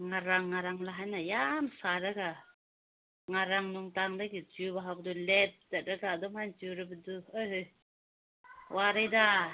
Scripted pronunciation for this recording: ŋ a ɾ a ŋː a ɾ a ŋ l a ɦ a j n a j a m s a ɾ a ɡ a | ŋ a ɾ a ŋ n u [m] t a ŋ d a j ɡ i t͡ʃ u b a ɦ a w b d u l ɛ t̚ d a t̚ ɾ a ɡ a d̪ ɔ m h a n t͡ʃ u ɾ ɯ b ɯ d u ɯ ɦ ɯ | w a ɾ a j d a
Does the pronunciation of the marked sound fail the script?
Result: yes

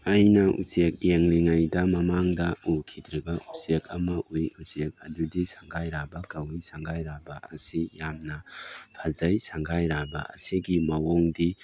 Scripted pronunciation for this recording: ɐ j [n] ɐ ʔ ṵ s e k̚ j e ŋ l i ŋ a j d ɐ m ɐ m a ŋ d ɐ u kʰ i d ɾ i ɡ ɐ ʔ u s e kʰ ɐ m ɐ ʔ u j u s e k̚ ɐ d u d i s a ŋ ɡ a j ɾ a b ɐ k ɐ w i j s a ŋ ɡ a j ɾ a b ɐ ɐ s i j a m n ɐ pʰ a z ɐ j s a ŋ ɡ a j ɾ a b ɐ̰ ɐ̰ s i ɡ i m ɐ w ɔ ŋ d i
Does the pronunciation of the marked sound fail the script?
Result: no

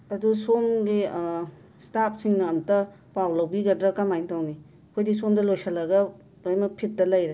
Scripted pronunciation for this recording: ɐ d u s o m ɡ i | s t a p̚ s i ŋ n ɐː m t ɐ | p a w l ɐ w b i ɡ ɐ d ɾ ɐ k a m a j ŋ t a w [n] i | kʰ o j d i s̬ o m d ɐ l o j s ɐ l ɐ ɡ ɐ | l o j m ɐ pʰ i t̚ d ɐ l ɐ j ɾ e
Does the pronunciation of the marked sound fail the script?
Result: no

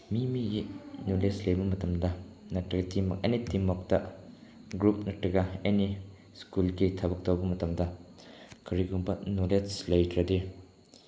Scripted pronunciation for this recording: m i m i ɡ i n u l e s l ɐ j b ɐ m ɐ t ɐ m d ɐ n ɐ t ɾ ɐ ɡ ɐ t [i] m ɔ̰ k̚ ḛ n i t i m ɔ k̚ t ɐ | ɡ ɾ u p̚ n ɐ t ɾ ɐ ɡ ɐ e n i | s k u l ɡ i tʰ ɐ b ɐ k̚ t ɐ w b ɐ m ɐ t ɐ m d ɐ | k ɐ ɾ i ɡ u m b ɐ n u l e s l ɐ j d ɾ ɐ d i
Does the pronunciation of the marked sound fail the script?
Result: no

